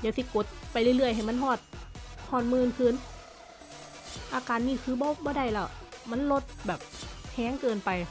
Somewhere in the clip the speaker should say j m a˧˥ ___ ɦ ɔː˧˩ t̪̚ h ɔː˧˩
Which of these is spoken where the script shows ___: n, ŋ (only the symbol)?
n